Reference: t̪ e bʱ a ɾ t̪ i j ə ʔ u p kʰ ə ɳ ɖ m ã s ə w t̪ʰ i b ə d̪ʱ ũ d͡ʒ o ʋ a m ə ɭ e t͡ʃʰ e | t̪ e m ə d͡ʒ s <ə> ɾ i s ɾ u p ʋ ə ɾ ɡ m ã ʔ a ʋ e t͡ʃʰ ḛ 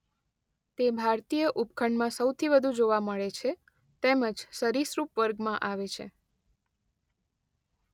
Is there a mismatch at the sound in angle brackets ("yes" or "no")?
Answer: no